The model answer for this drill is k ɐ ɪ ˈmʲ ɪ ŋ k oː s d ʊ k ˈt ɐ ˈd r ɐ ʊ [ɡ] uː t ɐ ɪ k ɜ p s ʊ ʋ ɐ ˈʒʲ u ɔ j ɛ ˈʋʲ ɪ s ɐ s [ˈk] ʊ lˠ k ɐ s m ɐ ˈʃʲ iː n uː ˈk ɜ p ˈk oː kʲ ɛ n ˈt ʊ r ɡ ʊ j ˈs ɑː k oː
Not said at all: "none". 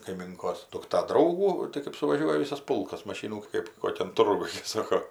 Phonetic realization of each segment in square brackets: ɡ, p

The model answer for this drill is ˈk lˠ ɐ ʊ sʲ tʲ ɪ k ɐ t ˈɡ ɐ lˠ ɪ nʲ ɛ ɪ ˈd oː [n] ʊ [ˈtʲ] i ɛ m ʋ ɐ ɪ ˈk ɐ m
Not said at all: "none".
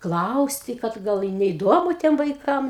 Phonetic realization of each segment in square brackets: m, tʲ

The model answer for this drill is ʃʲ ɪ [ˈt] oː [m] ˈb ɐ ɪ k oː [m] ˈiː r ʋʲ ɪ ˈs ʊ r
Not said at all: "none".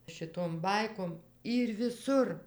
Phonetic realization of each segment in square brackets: t, m, m

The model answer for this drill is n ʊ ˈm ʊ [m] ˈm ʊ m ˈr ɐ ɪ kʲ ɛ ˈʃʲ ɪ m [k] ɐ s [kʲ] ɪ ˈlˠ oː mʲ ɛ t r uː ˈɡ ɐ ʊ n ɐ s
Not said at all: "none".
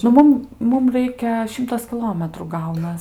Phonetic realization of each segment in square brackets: m, t, kʲ

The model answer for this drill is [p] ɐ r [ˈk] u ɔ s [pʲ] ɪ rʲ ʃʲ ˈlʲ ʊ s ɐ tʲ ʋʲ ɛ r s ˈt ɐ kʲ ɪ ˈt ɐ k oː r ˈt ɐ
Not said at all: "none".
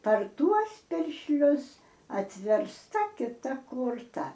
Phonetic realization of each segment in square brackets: p, t, pʲ

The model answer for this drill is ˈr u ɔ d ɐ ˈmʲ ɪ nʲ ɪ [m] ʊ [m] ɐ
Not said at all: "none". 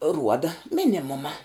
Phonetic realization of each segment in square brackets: m, m

